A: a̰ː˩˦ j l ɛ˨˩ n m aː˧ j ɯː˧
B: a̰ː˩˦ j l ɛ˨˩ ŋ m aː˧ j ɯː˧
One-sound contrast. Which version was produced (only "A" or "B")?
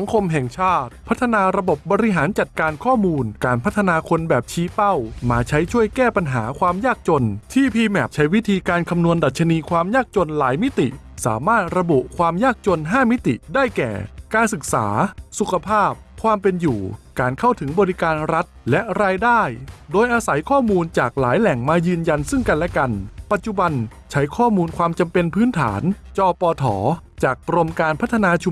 B